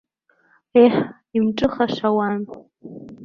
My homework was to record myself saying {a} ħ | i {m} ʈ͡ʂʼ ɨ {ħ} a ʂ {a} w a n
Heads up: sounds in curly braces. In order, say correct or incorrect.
incorrect: e, correct, incorrect: χ, correct

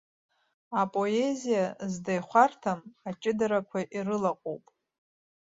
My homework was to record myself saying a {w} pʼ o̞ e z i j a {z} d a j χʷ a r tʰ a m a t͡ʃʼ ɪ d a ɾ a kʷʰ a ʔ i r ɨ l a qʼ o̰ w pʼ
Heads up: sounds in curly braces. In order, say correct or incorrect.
incorrect: none, correct

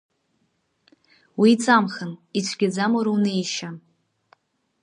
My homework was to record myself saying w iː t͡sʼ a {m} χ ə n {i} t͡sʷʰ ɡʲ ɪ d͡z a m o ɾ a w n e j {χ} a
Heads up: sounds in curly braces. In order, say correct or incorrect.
correct, correct, incorrect: ʃ

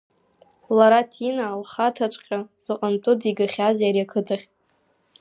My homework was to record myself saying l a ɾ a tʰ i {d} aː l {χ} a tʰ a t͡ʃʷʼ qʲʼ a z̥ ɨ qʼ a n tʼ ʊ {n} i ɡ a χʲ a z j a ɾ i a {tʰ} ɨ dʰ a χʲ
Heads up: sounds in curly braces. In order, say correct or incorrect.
incorrect: n, correct, incorrect: d, incorrect: kʰ

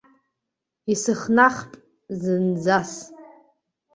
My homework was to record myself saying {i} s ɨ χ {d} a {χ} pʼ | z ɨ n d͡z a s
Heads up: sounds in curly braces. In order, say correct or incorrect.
correct, incorrect: n, correct

